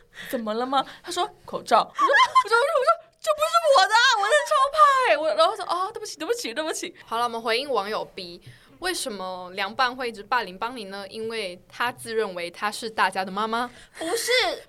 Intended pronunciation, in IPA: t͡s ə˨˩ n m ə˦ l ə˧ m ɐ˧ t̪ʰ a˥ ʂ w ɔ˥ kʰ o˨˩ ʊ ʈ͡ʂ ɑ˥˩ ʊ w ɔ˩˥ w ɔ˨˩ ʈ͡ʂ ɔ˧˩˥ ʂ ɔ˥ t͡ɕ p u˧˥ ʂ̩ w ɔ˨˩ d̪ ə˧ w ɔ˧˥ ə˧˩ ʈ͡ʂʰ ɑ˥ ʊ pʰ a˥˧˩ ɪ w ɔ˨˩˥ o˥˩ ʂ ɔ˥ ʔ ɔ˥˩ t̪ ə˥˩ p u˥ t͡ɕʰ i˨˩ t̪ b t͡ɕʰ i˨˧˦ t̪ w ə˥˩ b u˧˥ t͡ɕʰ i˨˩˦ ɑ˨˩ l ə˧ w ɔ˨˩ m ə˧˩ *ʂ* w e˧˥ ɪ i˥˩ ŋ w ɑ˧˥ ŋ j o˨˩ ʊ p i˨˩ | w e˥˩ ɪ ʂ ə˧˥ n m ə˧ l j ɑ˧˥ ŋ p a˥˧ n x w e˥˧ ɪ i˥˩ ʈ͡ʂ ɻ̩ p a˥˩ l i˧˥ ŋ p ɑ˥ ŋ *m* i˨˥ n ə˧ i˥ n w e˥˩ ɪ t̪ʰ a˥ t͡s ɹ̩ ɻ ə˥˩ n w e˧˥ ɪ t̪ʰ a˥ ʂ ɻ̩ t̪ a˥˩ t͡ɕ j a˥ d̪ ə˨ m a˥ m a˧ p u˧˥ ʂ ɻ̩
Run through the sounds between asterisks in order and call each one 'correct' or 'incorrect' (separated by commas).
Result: incorrect, incorrect